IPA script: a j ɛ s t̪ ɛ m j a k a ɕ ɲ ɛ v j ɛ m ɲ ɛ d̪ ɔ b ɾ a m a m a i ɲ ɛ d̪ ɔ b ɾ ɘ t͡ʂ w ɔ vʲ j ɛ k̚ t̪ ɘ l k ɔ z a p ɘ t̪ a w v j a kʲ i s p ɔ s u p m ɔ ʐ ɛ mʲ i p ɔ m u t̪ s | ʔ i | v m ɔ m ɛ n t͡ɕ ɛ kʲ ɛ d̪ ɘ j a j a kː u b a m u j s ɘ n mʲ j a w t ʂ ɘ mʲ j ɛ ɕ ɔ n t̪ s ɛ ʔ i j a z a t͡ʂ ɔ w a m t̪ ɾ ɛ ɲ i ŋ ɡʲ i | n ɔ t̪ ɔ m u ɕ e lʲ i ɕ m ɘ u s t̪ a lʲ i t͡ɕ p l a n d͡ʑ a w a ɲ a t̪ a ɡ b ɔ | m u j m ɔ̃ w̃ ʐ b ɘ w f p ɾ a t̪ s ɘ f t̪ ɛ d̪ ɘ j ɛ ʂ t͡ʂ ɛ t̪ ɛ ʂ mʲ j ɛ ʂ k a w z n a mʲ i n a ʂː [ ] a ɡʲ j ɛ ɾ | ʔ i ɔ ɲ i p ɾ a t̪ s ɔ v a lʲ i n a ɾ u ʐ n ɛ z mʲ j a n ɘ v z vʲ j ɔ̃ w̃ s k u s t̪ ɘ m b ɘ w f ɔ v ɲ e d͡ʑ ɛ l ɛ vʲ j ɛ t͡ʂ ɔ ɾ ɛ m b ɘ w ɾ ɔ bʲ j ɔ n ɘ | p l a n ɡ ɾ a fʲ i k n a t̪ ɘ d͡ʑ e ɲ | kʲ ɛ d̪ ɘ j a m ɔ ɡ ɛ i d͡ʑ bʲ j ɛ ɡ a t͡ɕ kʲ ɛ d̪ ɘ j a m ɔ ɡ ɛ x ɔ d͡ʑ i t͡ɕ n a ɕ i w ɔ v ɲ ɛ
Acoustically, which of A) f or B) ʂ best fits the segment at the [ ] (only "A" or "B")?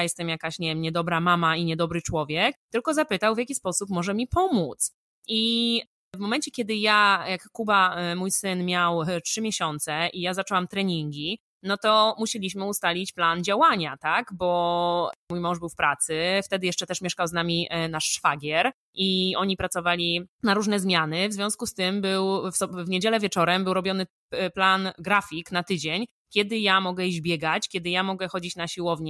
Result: A